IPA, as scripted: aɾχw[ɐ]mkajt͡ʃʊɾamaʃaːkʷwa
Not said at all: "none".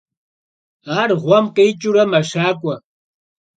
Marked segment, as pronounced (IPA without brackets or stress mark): a